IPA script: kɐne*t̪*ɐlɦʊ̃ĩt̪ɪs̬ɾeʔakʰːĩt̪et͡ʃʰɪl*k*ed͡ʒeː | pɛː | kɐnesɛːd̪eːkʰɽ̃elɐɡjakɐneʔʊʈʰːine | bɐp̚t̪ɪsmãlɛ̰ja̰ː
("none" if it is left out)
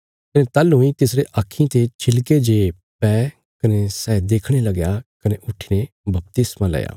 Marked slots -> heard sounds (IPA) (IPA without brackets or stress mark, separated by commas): t̪, k